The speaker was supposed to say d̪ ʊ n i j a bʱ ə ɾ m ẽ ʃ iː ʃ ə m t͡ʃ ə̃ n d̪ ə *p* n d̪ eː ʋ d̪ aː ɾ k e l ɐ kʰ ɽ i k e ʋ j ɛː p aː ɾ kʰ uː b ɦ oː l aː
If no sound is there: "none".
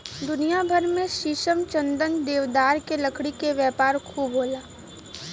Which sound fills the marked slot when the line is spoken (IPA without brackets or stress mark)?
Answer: none